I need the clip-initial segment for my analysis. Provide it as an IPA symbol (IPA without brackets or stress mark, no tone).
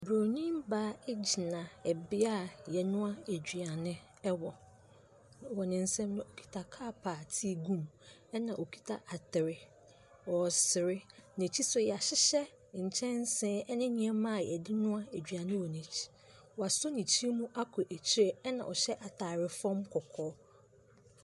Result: b